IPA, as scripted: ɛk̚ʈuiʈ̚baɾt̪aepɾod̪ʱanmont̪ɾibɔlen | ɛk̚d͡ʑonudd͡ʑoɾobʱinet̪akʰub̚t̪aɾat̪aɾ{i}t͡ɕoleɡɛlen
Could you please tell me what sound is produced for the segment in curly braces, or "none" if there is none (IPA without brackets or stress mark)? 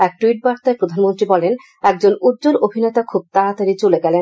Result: i